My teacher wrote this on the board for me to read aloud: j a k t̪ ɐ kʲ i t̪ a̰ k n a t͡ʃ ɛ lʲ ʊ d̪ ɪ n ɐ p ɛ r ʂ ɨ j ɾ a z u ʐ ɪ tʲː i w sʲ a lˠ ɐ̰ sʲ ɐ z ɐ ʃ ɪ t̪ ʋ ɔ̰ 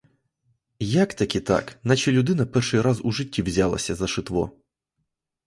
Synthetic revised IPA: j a k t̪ ɐ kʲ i t̪ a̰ k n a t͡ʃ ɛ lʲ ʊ d̪ ɪ n ɐ p ɛ r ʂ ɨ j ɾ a z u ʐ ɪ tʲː i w zʲ a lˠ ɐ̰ sʲ ɐ z ɐ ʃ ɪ t̪ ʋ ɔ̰